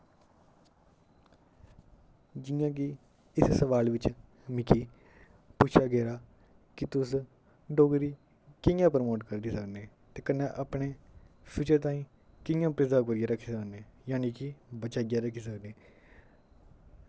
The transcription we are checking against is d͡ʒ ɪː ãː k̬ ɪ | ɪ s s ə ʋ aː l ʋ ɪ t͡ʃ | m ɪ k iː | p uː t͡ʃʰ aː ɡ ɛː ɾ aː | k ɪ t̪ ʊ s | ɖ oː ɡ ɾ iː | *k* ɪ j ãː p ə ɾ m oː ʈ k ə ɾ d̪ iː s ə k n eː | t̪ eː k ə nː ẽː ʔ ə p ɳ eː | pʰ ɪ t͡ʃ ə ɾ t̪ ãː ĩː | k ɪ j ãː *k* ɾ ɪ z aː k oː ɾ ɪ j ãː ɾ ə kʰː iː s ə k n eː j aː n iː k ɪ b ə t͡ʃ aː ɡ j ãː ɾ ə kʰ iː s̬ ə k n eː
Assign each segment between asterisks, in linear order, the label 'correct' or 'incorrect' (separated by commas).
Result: correct, incorrect